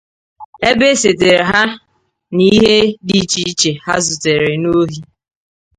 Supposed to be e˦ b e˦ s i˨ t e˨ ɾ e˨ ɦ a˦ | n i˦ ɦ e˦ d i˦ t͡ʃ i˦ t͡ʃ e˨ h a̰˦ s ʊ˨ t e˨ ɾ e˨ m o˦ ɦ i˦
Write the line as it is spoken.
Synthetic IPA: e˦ b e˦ s e˨ t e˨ ɾ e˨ ɦ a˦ | n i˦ ɦ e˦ d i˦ t͡ʃ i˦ t͡ʃ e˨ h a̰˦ z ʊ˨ t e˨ ɾ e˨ n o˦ ɦ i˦